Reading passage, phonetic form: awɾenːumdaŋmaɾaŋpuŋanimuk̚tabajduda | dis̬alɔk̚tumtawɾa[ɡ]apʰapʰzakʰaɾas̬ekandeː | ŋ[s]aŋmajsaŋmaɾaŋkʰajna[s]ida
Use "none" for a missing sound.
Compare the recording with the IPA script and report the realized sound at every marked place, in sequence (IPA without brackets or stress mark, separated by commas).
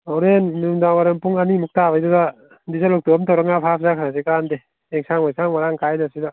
ŋ, s, s